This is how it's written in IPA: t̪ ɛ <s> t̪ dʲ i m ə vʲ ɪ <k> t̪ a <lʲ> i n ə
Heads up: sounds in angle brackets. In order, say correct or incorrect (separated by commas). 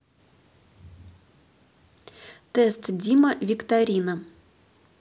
correct, correct, incorrect